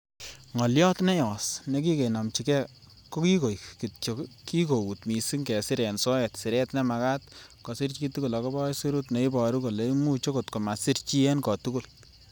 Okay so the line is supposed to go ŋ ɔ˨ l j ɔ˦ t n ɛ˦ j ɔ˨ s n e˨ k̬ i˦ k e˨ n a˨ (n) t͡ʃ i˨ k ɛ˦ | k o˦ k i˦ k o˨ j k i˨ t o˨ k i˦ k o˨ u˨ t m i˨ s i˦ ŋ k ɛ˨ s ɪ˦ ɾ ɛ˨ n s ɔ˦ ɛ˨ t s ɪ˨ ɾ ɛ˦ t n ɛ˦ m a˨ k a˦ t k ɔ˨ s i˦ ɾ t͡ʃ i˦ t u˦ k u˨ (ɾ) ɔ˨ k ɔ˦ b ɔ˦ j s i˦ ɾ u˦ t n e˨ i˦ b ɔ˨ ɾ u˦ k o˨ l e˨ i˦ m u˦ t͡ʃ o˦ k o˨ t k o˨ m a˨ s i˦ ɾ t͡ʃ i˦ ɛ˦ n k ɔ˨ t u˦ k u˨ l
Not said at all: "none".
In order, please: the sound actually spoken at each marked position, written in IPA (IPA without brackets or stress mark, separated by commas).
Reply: m, l